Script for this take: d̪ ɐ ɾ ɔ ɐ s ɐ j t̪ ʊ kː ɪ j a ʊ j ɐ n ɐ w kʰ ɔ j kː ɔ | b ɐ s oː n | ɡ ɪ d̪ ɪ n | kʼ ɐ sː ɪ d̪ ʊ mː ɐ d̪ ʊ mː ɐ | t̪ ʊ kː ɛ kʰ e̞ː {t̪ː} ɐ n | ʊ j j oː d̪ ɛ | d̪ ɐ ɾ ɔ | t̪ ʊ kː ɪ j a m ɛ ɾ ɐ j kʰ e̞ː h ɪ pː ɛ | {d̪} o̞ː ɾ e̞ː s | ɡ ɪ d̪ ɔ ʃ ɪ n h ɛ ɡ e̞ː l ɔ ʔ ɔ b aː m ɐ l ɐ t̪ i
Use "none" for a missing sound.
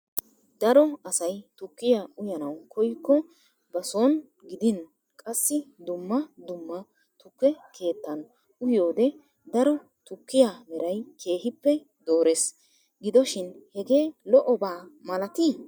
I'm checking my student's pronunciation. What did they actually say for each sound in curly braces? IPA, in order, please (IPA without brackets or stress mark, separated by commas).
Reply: t̪ː, d̪